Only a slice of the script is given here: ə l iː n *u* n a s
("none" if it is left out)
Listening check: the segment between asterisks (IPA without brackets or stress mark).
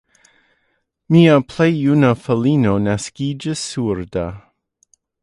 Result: o